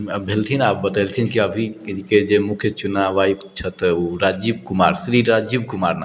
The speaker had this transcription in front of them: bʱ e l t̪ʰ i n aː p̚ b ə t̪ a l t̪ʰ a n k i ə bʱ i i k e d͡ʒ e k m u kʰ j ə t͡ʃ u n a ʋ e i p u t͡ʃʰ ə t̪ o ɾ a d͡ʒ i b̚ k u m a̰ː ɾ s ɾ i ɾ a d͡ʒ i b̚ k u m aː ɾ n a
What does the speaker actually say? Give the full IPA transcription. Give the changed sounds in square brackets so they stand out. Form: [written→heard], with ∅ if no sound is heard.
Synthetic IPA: bʱ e l t̪ʰ i n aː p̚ b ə t̪ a l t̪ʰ [a→i] n k i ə bʱ i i k e d͡ʒ e [k→∅] m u kʰ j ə t͡ʃ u n a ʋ [e→a] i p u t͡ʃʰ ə t̪ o ɾ a d͡ʒ i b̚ k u m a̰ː ɾ s ɾ i ɾ a d͡ʒ i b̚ k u m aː ɾ n a